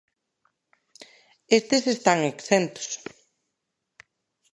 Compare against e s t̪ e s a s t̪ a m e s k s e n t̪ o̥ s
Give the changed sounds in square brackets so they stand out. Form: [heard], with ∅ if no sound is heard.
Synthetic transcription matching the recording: e s t̪ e s [e] s t̪ a [ŋ] e [∅] k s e n t̪ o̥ s